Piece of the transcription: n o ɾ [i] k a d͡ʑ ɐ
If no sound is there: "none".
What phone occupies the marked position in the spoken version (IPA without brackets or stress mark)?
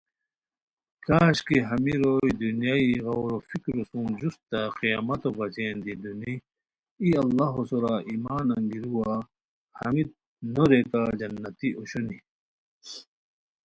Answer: e